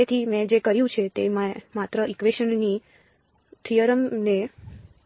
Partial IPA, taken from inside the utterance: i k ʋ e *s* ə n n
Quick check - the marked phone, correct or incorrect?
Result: incorrect